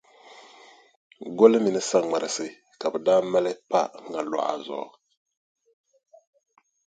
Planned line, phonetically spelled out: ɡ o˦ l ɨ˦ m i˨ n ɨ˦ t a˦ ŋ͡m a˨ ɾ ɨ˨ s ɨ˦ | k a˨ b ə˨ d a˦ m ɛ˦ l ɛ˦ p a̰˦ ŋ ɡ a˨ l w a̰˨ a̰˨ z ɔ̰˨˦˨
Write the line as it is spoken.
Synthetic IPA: ɡ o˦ l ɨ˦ m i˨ n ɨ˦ s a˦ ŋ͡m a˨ ɾ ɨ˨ s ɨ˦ | k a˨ b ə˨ d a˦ m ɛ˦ l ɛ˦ p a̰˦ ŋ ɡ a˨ l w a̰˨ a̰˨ z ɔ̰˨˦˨